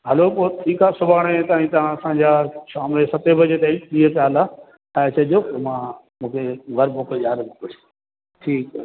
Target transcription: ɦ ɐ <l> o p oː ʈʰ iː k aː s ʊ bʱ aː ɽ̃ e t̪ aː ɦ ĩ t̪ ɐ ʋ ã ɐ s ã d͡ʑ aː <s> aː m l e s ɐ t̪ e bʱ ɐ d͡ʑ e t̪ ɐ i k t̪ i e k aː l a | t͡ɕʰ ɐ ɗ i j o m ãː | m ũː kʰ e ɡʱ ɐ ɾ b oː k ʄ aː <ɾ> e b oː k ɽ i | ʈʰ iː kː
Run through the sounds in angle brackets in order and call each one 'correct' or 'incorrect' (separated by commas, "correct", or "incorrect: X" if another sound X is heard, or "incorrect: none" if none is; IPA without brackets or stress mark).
correct, incorrect: ʃ, correct